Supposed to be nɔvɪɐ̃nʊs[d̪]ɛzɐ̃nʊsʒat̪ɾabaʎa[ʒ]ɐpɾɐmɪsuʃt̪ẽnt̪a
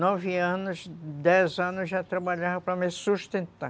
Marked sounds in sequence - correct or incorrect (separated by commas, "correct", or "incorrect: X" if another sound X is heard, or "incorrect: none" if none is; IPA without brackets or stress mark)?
correct, incorrect: v